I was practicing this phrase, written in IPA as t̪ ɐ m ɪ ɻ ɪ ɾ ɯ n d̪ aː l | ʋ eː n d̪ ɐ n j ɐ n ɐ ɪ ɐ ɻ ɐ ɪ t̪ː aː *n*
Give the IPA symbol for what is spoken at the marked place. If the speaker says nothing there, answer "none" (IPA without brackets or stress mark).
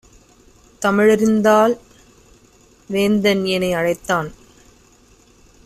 n